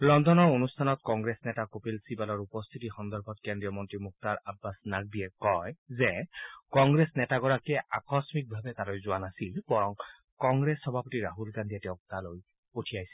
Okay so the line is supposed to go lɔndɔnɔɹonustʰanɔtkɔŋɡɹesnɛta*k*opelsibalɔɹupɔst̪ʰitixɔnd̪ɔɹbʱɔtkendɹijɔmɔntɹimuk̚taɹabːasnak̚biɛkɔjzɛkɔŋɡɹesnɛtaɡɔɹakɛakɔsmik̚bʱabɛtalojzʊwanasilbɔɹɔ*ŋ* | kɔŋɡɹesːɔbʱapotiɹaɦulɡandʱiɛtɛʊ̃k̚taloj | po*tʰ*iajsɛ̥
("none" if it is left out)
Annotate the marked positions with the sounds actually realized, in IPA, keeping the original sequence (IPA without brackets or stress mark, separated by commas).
k, ŋ, tʰ